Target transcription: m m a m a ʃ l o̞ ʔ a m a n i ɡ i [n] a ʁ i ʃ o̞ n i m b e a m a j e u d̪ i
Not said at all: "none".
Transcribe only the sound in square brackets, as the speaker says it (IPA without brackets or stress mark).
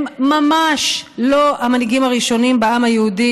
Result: m